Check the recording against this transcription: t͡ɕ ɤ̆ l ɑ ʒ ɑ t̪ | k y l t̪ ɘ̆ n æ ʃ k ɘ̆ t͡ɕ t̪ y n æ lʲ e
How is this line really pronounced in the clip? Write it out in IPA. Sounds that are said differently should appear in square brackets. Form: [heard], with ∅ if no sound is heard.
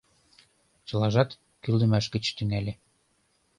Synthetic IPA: t͡ɕ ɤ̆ l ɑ ʒ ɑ t̪ | k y l [d̪] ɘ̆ [m] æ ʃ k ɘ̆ t͡ɕ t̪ y [ŋ] æ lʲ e

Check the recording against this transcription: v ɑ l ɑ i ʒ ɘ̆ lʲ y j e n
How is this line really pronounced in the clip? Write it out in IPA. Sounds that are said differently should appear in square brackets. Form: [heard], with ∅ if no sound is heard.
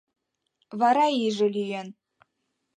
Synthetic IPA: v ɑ [ɾ] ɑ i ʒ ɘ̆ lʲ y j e n

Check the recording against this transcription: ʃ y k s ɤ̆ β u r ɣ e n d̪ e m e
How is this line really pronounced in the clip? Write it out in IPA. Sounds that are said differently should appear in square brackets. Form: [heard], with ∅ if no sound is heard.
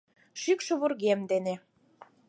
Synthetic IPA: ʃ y k [ʃ] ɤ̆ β u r ɣ e [m] d̪ e [n] e

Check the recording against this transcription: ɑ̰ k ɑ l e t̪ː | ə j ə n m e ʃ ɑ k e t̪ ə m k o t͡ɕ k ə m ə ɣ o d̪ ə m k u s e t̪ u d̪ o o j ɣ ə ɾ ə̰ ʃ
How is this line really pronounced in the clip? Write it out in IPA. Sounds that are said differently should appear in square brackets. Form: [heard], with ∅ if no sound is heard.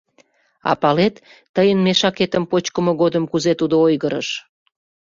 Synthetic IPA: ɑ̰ [p] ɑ l e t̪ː | ə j ə n m e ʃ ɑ k e t̪ ə m [p] o t͡ɕ k ə m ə ɣ o d̪ ə m k u [z] e t̪ u d̪ o o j ɣ ə ɾ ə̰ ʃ

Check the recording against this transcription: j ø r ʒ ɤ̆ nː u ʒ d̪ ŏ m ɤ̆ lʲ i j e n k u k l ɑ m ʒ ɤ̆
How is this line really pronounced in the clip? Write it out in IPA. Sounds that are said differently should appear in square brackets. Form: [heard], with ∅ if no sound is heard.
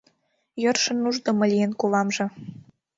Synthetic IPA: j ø r [ʃ] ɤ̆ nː u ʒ d̪ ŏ m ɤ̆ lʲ i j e n k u [∅] l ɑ m ʒ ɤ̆

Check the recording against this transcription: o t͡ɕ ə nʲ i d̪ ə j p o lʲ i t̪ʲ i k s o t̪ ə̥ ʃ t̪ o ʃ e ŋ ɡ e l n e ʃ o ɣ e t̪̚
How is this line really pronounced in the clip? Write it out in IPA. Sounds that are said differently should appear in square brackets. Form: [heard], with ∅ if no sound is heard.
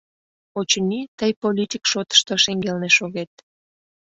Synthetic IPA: o t͡ɕ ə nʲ i [t̪] ə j p o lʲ i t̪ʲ i k [ʃ] o t̪ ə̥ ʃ t̪ o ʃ e ŋ ɡ e l n e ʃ o ɣ e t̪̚

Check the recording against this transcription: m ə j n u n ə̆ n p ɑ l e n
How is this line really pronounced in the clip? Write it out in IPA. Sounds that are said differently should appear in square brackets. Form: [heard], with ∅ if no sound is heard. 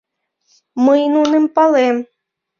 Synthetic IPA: m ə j n u n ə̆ [m] p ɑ l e [m]

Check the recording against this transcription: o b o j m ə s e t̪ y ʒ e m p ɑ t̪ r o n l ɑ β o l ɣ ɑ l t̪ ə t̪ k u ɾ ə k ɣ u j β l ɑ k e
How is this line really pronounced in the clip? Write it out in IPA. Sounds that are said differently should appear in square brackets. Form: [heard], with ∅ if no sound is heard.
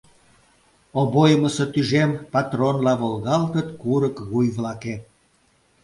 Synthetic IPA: o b o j m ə s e t̪ y ʒ e m p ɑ t̪ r o n l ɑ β o l ɣ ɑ l t̪ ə t̪ k u ɾ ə k ɣ u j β l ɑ k e

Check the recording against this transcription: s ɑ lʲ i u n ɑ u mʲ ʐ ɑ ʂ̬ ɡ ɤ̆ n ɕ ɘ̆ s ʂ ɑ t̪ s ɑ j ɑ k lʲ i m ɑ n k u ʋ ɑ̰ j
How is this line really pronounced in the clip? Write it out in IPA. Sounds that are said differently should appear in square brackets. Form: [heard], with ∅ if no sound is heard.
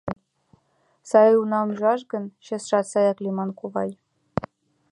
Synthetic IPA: s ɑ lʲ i u n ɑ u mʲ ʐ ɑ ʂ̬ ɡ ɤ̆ n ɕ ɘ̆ s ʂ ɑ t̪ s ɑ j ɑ k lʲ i m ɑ n k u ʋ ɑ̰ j

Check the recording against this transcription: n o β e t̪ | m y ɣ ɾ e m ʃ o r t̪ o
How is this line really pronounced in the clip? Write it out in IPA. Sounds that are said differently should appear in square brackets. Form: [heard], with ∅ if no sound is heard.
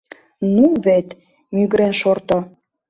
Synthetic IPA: n [u] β e t̪ | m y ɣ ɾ e [n] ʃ o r t̪ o

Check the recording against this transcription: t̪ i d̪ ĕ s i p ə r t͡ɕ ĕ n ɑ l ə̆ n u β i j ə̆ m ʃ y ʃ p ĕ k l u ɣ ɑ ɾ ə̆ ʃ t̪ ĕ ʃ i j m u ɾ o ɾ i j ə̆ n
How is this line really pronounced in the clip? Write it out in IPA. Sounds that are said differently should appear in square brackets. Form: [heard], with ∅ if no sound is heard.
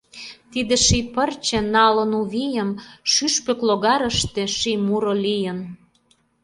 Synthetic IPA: t̪ i d̪ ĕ [ʃ] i p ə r t͡ɕ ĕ n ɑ l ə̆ n u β i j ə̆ m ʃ y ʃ p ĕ k l [o] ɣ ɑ ɾ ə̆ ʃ t̪ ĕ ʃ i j m u ɾ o [l] i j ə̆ n

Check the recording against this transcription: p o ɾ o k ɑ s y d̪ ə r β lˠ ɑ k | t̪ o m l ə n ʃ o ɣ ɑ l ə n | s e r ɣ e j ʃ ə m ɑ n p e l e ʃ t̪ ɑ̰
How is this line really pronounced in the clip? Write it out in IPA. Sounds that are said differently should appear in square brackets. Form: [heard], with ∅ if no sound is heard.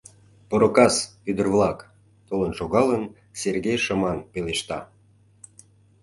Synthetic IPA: p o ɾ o k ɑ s y d̪ ə r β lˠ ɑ k | t̪ o [∅] l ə n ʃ o ɣ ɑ l ə n | s e r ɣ e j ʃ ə m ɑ n p e l e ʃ t̪ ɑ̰

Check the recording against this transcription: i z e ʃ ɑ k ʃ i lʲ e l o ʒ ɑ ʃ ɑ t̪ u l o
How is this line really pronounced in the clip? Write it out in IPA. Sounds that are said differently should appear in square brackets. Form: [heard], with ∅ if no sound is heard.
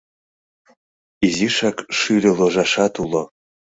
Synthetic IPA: i z [i] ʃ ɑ k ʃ [y] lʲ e l o ʒ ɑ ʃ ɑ t̪ u l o

